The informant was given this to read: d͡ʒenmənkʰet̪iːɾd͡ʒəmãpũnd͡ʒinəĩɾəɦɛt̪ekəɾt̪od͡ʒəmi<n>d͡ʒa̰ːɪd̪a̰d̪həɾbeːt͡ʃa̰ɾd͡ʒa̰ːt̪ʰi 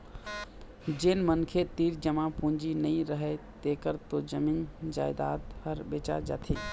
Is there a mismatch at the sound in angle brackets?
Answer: no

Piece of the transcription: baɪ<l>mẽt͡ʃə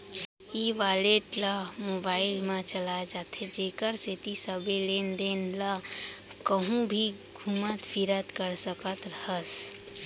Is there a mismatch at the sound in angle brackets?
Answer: no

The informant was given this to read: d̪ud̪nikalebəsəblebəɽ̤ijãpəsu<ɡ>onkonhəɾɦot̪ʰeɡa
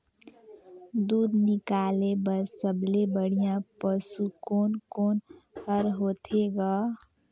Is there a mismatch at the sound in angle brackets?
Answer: yes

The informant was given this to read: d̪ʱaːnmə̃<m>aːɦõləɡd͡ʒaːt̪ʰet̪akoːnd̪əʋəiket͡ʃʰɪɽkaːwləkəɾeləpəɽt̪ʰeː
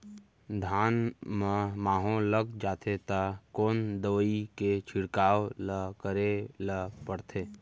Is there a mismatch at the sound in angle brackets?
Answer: no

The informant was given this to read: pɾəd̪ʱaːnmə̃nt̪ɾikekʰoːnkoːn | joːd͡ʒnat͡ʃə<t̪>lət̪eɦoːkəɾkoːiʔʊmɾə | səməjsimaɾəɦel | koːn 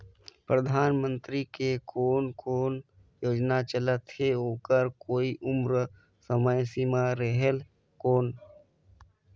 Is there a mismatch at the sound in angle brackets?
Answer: yes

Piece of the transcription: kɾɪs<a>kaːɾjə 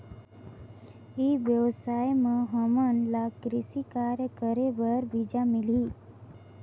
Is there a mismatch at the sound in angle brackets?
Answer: yes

